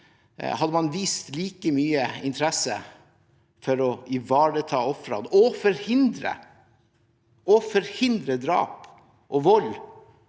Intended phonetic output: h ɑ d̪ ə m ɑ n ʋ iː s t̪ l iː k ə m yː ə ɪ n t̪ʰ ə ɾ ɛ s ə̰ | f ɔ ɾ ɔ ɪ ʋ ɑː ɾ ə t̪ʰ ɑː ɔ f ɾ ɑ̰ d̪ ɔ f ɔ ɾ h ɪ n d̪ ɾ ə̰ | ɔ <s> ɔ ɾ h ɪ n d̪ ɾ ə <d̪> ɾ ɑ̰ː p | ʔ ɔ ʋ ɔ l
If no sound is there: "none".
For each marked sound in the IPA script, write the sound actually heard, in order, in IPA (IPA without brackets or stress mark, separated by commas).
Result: f, d̪